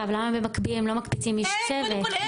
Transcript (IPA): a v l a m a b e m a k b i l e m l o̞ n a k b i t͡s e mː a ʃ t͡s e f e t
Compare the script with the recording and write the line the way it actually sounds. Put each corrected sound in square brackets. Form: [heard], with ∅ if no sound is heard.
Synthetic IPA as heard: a v l a m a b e m a k b i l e m l o̞ [m] a k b i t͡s [i] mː [i] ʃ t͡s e [v] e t